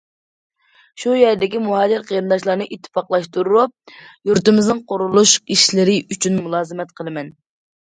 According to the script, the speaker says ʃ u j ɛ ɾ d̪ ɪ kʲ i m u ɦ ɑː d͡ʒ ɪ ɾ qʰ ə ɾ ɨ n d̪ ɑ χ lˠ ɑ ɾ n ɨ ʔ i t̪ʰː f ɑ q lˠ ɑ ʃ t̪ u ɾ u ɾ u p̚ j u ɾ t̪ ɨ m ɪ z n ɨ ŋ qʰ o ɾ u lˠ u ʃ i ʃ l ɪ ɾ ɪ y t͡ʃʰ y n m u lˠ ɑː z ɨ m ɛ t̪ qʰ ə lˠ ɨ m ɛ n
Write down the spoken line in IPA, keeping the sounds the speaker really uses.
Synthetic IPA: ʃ u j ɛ ɾ d̪ ɪ kʲ i m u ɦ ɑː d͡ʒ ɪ ɾ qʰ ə ɾ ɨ n d̪ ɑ ʃ lˠ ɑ ɾ n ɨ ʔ i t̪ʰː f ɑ q lˠ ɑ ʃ t̪ u ɾ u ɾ u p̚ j u ɾ t̪ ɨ m ɪ z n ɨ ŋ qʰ o ɾ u lˠ u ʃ i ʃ l ɪ ɾ ɪ y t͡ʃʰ y n m u lˠ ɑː z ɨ m ɛ t̪ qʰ ə lˠ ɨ m ɛ n